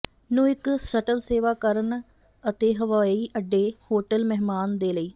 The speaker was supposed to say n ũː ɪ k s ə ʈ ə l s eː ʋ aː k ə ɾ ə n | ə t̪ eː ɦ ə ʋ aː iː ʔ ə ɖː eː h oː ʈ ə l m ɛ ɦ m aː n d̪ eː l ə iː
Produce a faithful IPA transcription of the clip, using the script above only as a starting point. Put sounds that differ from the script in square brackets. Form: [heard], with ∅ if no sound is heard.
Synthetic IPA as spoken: n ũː ɪ k s ə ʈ ə l s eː ʋ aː k ə ɾ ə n | ə t̪ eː ɦ ə ʋ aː iː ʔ ə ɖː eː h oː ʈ ə l m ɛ ɦ m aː n d̪ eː l ə iː